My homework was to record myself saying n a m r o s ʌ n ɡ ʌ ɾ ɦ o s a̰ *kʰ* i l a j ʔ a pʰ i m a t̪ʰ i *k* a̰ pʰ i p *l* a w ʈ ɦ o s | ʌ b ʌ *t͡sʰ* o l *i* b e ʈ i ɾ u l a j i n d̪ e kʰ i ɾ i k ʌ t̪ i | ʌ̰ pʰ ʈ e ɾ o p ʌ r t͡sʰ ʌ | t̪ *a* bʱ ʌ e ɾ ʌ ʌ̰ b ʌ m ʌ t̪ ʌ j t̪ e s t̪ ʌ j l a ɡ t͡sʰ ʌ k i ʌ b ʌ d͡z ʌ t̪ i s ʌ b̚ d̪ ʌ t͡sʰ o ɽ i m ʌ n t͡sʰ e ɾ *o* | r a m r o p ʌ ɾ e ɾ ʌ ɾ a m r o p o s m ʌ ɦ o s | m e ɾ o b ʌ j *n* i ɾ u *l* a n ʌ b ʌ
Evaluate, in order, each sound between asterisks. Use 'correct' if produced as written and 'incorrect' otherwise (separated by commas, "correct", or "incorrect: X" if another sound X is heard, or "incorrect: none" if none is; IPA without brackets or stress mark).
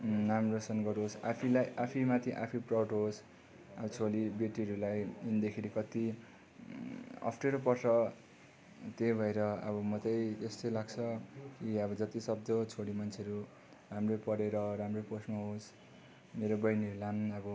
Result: incorrect: pʰ, incorrect: ʔ, incorrect: r, correct, correct, incorrect: e, incorrect: u, correct, correct